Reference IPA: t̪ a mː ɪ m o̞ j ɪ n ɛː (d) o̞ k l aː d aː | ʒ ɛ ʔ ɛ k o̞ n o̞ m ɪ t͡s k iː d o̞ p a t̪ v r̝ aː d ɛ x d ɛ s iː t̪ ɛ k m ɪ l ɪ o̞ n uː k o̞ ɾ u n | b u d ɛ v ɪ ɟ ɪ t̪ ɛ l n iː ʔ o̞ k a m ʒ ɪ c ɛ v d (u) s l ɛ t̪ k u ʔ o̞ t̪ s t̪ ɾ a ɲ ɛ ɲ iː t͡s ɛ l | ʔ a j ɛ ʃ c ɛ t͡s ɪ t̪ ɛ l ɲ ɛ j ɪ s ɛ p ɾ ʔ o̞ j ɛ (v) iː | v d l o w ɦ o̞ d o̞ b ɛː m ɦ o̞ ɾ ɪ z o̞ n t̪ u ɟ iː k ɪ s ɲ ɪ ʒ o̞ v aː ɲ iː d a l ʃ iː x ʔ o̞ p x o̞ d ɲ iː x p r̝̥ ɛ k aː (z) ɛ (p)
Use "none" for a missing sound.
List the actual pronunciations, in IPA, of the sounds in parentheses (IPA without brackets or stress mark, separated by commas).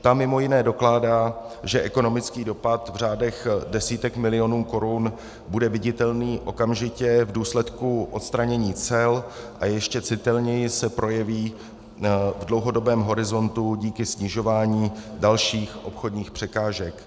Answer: d, uː, v, ʒ, k